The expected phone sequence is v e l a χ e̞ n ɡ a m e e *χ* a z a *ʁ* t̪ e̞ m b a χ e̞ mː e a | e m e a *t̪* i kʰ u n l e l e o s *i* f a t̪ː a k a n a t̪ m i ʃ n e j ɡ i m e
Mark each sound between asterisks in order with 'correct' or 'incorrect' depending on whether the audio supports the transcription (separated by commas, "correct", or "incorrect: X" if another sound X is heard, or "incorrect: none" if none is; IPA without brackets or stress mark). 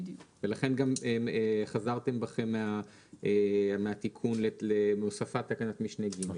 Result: correct, correct, correct, incorrect: a